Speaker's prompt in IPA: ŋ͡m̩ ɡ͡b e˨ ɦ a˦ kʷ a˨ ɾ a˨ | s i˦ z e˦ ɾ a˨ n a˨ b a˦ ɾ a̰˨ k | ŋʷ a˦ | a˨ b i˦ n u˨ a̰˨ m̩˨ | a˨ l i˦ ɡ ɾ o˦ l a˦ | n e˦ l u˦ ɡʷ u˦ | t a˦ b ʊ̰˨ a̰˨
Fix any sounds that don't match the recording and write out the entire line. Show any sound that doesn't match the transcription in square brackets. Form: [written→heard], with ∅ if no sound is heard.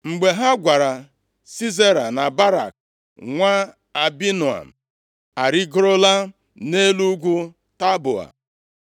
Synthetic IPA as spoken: ŋ͡m̩ ɡ͡b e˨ ɦ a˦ [kʷ→ɡʷ] a˨ ɾ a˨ | s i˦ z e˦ ɾ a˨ n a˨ b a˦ ɾ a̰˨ k | ŋʷ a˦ | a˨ b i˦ n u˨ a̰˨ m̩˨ | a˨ [l→ɾ] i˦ ɡ ɾ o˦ l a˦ | n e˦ l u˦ ɡʷ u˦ | t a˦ b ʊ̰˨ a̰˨